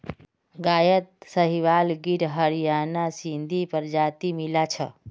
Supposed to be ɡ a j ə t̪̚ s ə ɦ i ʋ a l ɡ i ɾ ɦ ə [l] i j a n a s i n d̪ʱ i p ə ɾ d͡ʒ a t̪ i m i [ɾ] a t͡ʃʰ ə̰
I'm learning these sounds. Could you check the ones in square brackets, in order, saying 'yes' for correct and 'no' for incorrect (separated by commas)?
no, no